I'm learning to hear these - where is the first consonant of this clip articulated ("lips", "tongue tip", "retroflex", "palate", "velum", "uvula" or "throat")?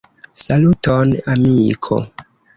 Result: tongue tip